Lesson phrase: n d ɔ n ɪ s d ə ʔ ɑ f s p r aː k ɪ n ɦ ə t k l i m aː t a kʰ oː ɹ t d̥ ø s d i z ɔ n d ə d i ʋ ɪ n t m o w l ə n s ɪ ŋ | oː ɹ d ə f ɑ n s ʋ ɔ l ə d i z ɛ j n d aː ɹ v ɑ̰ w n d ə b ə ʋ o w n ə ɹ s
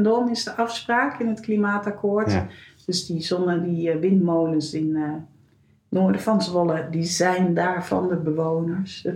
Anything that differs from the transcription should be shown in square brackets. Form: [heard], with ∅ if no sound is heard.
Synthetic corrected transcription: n d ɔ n ɪ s d ə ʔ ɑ f s p r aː k ɪ n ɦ ə t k l i m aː t a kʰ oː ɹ t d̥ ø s d i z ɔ n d ə d i ʋ ɪ n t m o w l ə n s ɪ [n] | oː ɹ d ə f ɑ n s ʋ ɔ l ə d i z ɛ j n d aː ɹ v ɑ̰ [∅] n d ə b ə ʋ o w n ə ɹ s